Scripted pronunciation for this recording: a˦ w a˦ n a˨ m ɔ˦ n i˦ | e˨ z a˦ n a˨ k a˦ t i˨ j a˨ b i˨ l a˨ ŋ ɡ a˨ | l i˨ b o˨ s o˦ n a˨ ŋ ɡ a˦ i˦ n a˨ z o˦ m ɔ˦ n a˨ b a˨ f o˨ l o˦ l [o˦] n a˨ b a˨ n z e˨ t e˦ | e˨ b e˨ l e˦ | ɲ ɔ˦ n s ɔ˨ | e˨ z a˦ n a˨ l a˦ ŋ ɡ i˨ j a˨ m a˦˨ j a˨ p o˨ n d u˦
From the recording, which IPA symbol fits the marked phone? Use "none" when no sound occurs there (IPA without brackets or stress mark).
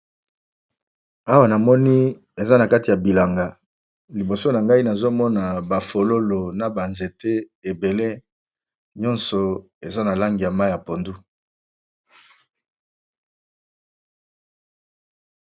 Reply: o˨